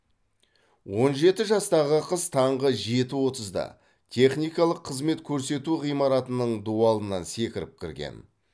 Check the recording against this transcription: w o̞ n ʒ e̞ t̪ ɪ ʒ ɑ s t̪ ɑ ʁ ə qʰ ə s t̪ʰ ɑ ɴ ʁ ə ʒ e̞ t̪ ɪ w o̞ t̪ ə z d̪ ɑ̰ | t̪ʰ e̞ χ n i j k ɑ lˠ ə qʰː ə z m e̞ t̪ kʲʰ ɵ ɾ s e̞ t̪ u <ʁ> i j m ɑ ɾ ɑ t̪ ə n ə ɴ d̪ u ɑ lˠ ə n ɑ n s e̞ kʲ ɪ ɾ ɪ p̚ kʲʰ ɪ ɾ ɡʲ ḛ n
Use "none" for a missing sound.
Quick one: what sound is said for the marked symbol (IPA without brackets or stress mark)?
ʁ